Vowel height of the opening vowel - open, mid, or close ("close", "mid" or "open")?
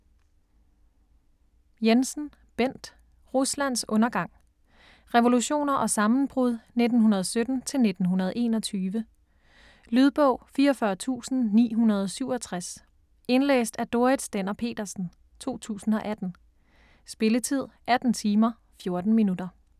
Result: mid